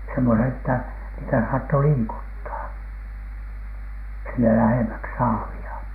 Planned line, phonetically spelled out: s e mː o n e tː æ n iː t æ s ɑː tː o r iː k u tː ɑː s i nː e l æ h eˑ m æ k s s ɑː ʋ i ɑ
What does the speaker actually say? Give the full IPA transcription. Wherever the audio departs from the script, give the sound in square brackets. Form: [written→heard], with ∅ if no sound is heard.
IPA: s e mː o n e tː æ n iː t æ s ɑː tː o [r→l] iː k u tː ɑː s i nː e l æ h eˑ m æ k s s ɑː ʋ i ɑ